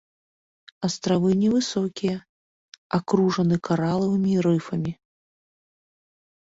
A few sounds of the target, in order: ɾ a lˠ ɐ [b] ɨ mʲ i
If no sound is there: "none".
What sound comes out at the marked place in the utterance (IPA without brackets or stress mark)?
v